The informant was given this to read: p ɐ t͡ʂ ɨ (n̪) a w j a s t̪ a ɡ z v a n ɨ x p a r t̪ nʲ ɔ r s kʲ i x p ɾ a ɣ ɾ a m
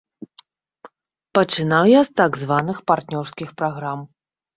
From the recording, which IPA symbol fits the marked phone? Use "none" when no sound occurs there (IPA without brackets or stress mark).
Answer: n̪